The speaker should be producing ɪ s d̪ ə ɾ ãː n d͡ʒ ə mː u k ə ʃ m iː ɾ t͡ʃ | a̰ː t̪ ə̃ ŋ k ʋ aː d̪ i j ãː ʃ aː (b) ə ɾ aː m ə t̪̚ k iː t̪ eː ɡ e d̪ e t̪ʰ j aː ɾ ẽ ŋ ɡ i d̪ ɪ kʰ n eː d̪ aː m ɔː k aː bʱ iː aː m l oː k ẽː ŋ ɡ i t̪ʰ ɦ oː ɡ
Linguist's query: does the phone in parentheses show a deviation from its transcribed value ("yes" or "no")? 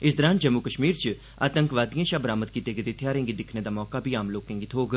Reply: no